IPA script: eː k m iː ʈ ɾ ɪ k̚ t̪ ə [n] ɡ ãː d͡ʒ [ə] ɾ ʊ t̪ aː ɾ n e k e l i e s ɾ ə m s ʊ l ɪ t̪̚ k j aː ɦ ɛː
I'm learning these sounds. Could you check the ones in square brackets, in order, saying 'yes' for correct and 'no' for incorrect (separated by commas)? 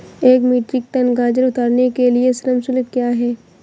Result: yes, yes